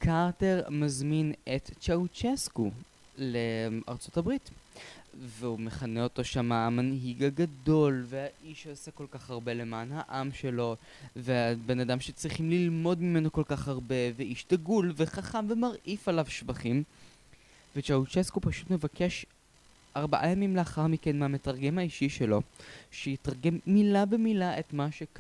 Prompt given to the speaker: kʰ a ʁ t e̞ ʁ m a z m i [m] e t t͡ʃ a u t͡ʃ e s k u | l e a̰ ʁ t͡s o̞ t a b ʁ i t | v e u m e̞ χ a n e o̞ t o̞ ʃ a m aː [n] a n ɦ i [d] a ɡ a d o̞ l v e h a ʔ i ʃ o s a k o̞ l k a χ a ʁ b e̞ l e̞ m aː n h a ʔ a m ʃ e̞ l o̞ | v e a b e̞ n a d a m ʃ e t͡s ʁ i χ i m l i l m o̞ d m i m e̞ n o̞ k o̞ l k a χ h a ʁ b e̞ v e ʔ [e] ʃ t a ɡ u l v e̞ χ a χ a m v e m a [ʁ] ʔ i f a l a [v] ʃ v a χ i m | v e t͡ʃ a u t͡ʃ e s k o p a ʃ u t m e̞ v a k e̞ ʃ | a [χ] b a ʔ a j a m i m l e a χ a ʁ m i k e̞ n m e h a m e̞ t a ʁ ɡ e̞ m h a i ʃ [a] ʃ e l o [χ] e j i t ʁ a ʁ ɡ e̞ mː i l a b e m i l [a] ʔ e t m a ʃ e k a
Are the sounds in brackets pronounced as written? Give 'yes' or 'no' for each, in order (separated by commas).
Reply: no, no, no, no, yes, yes, no, no, no, yes